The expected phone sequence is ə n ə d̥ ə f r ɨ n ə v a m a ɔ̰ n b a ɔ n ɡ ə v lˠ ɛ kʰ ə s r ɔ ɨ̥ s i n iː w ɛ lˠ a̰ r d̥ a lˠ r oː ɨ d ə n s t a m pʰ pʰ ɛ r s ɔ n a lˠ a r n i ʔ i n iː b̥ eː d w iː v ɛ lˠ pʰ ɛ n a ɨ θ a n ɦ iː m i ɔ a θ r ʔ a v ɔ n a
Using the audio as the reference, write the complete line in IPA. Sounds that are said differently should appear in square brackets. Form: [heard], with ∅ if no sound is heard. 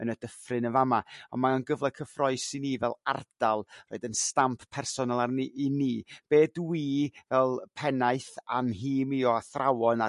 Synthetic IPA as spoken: ə n ə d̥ ə f r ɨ n ə v a m a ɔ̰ n [m] a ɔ n ɡ ə v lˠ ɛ kʰ ə [f] r ɔ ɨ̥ s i n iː [v] ɛ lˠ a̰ r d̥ a lˠ r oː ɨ d ə n s t a m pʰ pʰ ɛ r s ɔ n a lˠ a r n i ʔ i n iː b̥ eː d w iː v ɛ lˠ pʰ ɛ n a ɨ θ a n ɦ iː m i ɔ a θ r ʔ a [w] ɔ n a